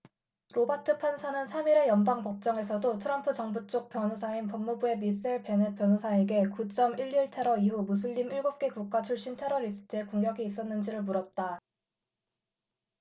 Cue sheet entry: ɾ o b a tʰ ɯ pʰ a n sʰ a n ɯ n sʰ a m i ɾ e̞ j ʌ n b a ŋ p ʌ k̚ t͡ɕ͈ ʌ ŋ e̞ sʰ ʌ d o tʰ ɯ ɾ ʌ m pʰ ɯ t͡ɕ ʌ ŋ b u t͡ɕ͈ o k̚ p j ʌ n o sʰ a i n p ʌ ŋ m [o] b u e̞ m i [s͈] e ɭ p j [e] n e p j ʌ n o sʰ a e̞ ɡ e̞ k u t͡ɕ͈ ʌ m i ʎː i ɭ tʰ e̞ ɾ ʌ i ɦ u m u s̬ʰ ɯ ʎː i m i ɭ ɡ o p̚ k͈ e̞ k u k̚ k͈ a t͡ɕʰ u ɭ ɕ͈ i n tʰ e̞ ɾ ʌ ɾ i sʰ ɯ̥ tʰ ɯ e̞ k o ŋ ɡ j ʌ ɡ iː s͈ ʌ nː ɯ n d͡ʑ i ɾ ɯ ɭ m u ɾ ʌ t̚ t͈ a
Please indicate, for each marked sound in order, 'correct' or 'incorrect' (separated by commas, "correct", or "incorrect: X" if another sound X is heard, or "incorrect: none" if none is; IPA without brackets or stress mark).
incorrect: u, correct, correct